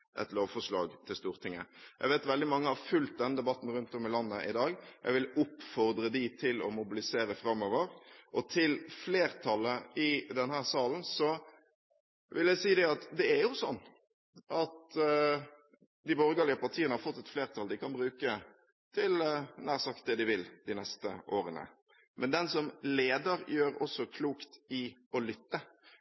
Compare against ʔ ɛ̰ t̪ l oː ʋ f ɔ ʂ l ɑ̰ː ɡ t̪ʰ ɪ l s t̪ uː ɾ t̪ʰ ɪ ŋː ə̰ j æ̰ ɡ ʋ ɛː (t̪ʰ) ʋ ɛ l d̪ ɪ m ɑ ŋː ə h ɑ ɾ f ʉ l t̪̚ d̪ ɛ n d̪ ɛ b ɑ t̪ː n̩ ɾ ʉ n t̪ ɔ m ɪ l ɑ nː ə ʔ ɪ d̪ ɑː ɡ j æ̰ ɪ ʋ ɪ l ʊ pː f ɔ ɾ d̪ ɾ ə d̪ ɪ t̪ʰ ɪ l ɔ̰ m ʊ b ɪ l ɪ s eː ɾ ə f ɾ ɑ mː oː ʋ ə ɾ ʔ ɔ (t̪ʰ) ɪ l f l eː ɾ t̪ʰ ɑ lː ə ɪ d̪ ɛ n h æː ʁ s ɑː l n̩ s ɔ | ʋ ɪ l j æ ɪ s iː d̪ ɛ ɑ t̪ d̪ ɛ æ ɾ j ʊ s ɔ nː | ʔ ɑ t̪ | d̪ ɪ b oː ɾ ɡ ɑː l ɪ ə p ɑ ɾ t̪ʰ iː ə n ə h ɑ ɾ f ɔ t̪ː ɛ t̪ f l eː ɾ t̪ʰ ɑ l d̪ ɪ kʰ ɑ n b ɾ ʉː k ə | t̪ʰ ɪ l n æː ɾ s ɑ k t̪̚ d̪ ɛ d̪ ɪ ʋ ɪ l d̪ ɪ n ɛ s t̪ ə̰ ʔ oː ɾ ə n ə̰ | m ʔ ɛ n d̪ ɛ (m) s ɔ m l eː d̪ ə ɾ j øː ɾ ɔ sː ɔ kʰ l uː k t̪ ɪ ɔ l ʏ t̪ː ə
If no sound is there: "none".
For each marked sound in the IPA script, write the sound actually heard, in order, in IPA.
t̪, t̪ʰ, n

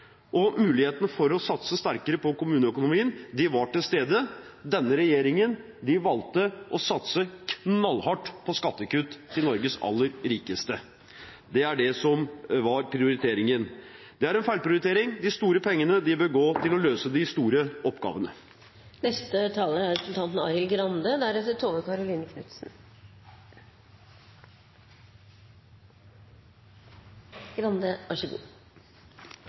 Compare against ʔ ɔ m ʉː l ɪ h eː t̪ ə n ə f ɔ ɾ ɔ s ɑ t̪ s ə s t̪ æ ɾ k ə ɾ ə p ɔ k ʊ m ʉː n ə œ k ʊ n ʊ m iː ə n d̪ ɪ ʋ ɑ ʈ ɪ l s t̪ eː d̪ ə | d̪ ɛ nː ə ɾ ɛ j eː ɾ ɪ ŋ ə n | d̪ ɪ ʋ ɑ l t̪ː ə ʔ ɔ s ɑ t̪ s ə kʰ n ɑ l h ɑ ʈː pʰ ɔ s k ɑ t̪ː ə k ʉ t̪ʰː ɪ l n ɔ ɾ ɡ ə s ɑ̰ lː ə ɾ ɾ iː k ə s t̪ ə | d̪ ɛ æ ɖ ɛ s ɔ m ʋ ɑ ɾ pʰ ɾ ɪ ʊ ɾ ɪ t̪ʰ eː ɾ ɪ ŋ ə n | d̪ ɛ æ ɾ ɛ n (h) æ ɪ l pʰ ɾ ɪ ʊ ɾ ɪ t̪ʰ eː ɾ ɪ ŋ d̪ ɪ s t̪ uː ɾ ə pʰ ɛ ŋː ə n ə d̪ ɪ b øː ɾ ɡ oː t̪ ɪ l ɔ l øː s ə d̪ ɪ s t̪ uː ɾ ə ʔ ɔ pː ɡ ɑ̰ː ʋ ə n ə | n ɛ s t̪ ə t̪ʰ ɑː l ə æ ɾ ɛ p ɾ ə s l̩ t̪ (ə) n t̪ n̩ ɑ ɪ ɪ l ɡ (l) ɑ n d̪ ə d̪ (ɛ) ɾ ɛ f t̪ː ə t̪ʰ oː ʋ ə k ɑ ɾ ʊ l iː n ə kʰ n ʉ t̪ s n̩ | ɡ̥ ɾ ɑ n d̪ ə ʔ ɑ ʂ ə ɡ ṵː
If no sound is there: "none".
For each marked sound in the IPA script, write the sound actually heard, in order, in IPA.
f, ɑ, ɾ, æ

